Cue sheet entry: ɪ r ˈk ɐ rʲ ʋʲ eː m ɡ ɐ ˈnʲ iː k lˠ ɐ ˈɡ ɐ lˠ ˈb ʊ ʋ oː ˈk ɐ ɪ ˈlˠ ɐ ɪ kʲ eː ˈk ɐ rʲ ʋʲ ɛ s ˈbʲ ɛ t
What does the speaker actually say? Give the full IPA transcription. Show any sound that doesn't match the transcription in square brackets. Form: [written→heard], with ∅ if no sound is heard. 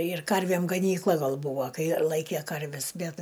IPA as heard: ɪ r ˈk ɐ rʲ ʋʲ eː m ɡ ɐ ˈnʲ iː k lˠ ɐ ˈɡ ɐ lˠ ˈb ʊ ʋ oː ˈk ɐ ɪ ˈlˠ ɐ ɪ kʲ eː ˈk ɐ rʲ ʋʲ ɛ s ˈbʲ ɛ t